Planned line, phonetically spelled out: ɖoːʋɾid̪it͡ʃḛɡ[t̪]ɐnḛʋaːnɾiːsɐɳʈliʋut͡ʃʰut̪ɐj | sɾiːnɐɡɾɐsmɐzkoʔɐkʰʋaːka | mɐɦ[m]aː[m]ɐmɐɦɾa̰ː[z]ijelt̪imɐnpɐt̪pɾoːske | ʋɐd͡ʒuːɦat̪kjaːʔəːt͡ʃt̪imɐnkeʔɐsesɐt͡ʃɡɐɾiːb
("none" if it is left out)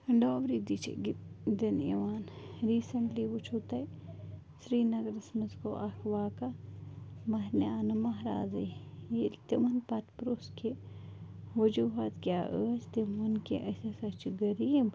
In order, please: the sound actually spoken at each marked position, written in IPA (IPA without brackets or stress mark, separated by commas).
d̪, n, n, z